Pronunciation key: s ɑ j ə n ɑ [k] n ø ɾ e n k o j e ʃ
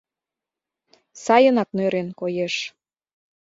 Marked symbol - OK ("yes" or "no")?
yes